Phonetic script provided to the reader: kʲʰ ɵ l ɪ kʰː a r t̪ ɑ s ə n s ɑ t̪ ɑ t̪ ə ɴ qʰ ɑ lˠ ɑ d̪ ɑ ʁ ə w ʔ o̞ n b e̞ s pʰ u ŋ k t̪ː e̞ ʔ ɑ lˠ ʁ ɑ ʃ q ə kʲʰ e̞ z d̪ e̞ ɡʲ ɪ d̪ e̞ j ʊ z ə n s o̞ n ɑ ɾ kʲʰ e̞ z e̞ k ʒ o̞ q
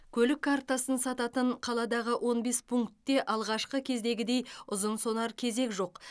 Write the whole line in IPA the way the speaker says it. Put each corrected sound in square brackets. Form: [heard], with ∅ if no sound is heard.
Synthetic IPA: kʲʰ ɵ l ɪ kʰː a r t̪ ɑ s ə n s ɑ t̪ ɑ t̪ ə ɴ qʰ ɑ lˠ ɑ d̪ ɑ ʁ ə w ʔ o̞ n b e̞ s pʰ u ŋ k t̪ː e̞ ʔ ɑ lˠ ʁ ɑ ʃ q ə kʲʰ e̞ z d̪ e̞ ɡʲ ɪ d̪ e̞ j ʊ z ə n s o̞ n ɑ ɾ kʲʰ e̞ z e̞ k ʒ o̞ q